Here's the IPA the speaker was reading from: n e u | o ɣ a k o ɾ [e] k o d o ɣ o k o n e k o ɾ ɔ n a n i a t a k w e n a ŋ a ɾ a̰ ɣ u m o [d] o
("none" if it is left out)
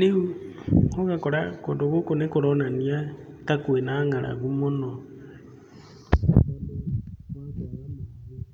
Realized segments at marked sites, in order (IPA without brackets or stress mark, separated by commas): a, n